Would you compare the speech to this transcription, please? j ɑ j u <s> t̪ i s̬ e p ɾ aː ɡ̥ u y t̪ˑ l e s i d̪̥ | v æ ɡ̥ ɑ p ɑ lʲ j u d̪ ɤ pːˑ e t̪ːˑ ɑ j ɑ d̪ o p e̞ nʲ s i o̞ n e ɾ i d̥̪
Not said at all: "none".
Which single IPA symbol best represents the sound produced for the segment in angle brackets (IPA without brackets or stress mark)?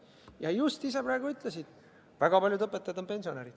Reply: s